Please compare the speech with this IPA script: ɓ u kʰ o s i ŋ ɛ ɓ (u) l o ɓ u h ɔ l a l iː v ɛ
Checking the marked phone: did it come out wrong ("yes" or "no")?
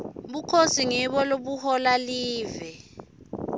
yes